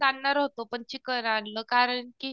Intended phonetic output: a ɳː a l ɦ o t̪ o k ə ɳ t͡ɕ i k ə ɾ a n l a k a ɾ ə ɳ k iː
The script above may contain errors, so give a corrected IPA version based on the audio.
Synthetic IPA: a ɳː a ɾ ɦ o t̪ o p ə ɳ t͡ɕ i k ə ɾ a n l ə k a ɾ ə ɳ k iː